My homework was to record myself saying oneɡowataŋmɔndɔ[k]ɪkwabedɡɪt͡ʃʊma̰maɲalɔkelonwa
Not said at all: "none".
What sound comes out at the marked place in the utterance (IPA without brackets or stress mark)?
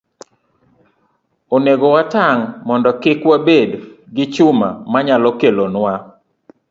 k